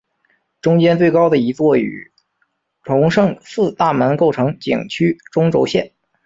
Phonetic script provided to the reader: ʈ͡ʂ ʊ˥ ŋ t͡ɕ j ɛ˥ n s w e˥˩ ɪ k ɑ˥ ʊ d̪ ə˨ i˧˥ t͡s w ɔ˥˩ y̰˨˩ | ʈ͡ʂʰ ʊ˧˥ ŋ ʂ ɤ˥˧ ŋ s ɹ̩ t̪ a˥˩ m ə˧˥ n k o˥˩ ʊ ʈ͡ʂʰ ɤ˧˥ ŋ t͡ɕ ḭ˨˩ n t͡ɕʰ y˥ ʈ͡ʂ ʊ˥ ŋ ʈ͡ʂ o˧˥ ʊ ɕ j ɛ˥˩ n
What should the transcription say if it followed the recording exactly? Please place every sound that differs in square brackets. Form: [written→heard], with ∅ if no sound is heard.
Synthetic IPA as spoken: ʈ͡ʂ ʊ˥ ŋ t͡ɕ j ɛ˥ n [s→t͡s] w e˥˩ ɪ k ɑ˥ ʊ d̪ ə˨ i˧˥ t͡s w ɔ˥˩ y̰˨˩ | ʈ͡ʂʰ ʊ˧˥ ŋ ʂ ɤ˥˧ ŋ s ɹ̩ t̪ a˥˩ m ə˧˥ n k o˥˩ ʊ ʈ͡ʂʰ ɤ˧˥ ŋ t͡ɕ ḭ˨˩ [n→ŋ] t͡ɕʰ y˥ ʈ͡ʂ ʊ˥ ŋ ʈ͡ʂ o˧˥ ʊ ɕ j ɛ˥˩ n